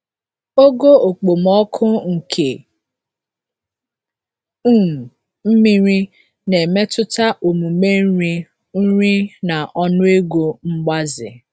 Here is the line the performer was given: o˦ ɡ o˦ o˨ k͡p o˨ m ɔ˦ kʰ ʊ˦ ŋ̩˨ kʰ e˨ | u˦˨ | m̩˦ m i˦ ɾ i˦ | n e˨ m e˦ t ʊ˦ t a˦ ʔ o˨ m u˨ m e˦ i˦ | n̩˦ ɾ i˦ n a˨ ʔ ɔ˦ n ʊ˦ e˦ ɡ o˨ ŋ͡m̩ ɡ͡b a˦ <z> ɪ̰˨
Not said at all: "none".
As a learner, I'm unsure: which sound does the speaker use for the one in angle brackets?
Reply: z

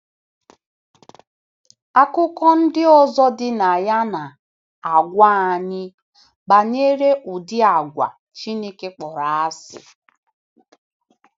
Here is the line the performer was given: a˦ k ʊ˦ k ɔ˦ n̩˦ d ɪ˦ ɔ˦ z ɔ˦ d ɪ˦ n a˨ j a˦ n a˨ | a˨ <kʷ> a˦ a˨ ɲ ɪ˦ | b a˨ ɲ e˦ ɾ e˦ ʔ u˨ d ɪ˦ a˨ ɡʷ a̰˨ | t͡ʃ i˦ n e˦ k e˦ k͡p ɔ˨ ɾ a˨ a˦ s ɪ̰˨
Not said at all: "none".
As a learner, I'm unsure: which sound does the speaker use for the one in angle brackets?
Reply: ɡʷ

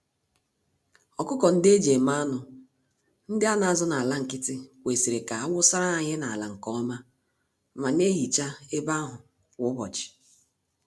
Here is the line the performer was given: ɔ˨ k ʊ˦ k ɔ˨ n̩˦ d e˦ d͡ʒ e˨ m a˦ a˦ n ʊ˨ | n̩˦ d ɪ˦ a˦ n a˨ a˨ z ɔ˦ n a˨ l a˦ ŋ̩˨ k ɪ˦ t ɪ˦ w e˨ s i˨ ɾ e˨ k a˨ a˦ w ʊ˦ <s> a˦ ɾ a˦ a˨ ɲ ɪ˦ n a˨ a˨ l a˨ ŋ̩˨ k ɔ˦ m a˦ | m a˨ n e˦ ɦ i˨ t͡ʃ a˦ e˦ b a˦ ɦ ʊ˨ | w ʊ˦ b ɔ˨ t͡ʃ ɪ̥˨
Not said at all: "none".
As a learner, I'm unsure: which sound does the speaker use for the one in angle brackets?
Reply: s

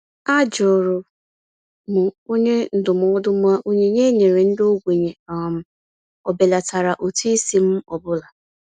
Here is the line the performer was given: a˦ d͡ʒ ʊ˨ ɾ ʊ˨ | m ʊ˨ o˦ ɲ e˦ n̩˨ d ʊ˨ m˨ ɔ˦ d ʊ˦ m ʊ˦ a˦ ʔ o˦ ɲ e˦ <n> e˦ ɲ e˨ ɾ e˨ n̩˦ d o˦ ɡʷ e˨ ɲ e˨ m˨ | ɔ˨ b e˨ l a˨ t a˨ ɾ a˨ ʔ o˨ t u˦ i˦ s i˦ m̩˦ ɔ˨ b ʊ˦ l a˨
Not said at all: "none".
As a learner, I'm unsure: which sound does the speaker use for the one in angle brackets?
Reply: ɲ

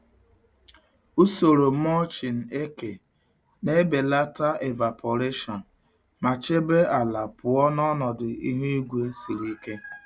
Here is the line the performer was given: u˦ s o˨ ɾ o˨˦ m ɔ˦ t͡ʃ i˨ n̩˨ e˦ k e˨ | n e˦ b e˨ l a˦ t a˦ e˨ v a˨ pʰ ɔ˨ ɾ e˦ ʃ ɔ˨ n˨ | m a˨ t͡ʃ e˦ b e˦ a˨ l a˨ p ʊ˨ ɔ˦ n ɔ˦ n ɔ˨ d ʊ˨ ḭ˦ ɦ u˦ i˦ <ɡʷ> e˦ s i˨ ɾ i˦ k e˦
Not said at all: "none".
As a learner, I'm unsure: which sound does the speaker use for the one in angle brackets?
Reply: ɡʷ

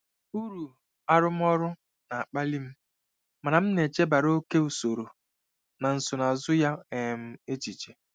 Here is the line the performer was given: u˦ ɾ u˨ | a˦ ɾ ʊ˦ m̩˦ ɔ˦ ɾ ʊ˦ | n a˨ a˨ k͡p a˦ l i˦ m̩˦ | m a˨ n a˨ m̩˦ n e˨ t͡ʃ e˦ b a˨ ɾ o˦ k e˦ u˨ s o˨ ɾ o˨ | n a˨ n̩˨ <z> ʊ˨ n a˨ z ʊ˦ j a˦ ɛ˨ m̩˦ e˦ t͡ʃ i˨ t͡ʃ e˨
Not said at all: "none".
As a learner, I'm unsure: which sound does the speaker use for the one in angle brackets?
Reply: s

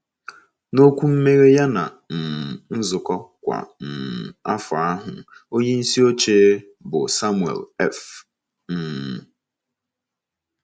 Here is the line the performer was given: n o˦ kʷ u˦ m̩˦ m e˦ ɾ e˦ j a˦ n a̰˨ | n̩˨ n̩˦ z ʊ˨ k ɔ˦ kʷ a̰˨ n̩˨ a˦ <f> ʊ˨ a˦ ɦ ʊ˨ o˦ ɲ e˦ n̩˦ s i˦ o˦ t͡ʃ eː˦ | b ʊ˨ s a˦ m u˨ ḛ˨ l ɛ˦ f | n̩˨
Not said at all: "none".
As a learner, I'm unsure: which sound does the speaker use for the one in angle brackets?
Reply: f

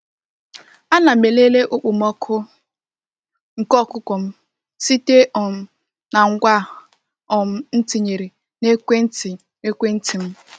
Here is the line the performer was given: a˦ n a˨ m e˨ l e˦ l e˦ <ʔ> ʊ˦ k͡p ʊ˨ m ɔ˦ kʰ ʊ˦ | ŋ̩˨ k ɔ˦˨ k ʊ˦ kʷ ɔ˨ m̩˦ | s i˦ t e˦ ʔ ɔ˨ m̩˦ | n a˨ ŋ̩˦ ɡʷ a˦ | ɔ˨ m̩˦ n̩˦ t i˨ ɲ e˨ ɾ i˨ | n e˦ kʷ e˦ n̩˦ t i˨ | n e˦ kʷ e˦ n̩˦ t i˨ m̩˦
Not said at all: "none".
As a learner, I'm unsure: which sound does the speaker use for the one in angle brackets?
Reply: ʔ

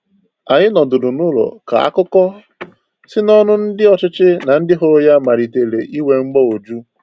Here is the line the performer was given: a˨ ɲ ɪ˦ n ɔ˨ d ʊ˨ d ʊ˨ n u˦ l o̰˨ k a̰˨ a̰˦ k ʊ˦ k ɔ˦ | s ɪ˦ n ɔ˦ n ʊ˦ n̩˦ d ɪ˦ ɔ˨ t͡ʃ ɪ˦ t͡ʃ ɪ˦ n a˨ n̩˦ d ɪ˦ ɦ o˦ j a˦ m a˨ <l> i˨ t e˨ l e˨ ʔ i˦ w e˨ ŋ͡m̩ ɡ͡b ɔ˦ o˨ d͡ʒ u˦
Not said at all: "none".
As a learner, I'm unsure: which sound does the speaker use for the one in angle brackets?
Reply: ɾ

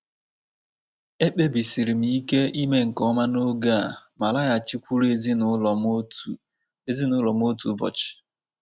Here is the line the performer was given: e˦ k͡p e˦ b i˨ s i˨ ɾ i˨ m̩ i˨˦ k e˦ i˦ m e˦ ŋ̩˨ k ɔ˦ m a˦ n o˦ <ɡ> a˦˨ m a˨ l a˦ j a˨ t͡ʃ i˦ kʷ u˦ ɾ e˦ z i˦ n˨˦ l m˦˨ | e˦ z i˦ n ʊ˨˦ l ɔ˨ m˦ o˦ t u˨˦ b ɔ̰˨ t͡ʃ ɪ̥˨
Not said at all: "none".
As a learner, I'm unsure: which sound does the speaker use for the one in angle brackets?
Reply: ɡ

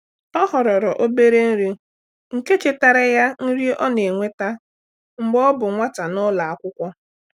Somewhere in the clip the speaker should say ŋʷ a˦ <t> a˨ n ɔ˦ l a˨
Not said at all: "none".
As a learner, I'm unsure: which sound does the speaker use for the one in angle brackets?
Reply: t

